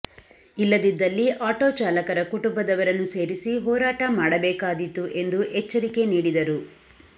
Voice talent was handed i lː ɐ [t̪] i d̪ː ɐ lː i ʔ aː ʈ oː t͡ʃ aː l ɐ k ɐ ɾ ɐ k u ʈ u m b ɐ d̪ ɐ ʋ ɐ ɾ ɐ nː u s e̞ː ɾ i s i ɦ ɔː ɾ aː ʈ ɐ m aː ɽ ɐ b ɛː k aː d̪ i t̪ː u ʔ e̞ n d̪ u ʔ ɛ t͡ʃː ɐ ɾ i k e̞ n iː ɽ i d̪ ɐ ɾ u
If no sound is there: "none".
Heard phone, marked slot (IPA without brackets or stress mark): d̪